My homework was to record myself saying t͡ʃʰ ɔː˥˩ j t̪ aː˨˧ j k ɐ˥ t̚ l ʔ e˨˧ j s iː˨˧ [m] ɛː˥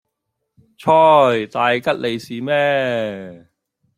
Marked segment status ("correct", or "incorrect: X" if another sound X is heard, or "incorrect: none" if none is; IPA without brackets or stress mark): correct